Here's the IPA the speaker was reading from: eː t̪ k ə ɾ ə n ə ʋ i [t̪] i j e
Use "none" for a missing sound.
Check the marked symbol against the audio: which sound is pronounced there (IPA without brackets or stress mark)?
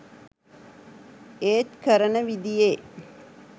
d̪